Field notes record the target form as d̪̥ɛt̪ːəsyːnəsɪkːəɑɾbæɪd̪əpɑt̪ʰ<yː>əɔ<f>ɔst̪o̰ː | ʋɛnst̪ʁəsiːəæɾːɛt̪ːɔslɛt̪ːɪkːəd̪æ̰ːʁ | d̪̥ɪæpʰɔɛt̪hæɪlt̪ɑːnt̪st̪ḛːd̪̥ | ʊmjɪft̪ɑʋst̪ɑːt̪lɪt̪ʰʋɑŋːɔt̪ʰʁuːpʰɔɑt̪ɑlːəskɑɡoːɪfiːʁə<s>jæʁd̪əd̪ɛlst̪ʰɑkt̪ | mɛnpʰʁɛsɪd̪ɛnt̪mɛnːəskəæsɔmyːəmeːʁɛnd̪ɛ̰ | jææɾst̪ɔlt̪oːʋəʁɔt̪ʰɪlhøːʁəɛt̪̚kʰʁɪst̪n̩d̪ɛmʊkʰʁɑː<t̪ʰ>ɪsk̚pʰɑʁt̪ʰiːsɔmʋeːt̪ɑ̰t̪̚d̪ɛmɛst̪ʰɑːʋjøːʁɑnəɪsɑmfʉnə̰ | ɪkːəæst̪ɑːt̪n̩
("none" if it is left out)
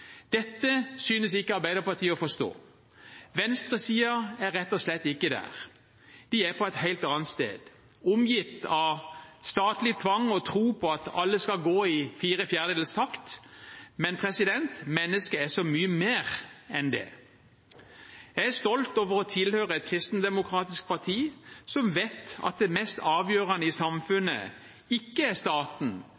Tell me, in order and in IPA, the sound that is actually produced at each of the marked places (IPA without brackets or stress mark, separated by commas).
iː, f, f, t̪